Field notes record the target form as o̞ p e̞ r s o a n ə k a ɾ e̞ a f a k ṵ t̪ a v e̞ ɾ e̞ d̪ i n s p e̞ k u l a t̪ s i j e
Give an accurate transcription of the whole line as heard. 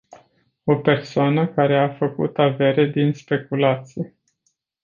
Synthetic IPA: o̞ p e̞ r s o a n ə k a ɾ e̞ a f ə k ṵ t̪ a v e̞ ɾ e̞ d̪ i n s p e̞ k u l a t̪ s i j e